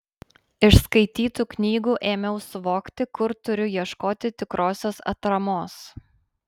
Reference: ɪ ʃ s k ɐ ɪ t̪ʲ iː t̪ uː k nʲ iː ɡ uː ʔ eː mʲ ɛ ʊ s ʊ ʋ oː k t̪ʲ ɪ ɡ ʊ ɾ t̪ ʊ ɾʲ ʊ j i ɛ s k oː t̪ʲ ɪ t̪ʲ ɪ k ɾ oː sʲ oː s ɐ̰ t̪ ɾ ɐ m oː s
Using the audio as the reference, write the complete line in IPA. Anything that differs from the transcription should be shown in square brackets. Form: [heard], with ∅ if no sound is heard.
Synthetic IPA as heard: ɪ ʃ s k ɐ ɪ t̪ʲ iː t̪ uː k nʲ iː ɡ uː ʔ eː mʲ ɛ ʊ s ʊ ʋ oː k t̪ʲ ɪ [k] ʊ ɾ t̪ ʊ ɾʲ ʊ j i ɛ [ʃ] k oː t̪ʲ ɪ t̪ʲ ɪ k ɾ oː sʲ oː s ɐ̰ t̪ ɾ ɐ m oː s